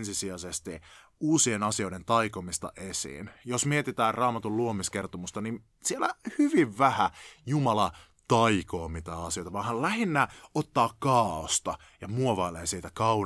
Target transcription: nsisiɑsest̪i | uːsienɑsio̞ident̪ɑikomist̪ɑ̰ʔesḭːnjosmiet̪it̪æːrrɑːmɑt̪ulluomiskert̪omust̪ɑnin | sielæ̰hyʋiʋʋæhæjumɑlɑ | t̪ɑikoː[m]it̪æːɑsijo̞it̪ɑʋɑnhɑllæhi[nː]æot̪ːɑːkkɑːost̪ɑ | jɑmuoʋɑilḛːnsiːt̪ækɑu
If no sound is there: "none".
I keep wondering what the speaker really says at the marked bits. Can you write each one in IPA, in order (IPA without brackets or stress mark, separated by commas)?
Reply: m, nː